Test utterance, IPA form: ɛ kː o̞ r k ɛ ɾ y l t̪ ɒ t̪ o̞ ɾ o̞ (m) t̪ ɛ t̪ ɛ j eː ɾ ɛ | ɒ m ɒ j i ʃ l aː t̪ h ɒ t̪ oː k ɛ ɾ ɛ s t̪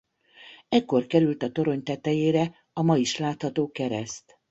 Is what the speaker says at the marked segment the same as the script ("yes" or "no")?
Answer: no